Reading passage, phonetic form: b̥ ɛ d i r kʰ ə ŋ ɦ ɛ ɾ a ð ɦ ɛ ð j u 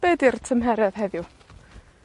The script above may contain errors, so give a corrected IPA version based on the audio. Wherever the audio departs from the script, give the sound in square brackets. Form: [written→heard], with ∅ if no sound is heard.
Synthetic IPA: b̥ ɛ d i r [kʰ→tʰ] ə [ŋ→m] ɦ ɛ ɾ [a→ɛ] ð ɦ ɛ ð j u

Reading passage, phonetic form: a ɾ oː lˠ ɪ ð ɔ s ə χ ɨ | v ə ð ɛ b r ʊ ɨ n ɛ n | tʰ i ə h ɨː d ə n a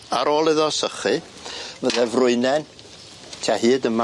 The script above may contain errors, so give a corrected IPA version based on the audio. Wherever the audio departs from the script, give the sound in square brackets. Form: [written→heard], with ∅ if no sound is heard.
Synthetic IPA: a ɾ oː lˠ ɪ ð ɔ s ə χ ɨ | v ə ð ɛ [b→v] r ʊ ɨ n ɛ n | tʰ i [ə→a] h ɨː d ə [n→m] a

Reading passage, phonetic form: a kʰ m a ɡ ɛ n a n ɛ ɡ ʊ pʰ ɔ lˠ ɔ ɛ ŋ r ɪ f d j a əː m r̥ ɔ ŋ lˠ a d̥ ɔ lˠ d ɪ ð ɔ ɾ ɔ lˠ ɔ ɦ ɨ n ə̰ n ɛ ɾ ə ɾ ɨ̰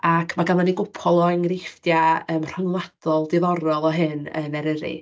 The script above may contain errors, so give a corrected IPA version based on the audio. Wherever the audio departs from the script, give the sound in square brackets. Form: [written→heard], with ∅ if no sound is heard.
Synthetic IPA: a kʰ m a ɡ [ɛ→a] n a n [ɛ→i] ɡ ʊ pʰ ɔ lˠ ɔ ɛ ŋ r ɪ f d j a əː m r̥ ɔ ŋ lˠ a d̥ ɔ lˠ d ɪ ð ɔ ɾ ɔ lˠ ɔ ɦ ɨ n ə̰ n ɛ ɾ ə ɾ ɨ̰

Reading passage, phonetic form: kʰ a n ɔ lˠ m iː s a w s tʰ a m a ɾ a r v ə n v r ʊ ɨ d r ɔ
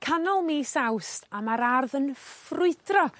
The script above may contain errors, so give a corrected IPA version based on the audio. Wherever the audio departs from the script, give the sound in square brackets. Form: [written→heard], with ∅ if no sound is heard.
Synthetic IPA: kʰ a n ɔ lˠ m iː s a w s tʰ a m a ɾ a r [v→ð] ə n [v→f] r ʊ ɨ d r ɔ

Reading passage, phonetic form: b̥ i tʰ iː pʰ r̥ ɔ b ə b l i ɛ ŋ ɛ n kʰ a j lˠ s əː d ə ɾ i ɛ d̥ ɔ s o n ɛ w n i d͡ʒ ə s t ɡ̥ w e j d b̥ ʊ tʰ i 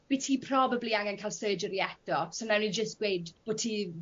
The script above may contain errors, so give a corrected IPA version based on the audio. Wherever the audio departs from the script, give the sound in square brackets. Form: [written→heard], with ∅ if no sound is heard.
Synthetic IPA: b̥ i tʰ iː pʰ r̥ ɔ b ə b l i [ɛ→a] ŋ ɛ n kʰ a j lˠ s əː [d→d͡ʒ] ə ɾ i ɛ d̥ ɔ s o n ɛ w n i d͡ʒ ə s t ɡ̥ w e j d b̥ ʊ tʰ i

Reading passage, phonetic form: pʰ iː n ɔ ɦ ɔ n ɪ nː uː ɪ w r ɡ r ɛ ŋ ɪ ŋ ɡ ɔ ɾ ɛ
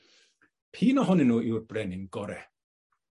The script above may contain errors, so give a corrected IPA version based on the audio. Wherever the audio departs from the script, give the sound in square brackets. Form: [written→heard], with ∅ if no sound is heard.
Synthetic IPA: pʰ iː n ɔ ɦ ɔ n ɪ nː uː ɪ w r [ɡ→b] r ɛ [ŋ→n] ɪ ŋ ɡ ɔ ɾ ɛ

